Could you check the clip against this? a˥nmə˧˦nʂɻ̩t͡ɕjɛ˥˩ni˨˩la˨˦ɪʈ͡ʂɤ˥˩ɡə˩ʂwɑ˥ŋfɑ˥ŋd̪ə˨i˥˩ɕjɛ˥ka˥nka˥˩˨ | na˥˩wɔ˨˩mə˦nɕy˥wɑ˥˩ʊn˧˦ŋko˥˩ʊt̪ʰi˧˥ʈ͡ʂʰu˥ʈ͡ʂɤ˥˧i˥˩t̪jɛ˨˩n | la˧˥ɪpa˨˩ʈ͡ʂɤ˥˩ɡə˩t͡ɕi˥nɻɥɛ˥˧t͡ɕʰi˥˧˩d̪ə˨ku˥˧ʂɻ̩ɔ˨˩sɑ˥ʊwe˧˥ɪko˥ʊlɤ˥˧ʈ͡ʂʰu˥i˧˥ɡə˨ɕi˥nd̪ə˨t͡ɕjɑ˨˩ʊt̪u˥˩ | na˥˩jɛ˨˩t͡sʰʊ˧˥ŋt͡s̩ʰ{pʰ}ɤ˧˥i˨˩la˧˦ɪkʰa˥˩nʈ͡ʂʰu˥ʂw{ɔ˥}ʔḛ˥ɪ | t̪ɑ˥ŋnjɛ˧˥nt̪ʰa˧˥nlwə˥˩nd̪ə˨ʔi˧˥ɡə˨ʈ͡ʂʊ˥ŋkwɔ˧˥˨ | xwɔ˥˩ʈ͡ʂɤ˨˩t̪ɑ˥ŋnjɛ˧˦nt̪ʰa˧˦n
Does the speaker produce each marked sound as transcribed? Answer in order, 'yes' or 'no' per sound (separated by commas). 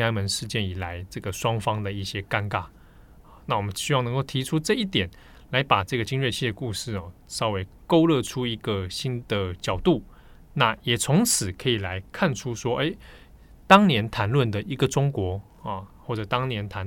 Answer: no, yes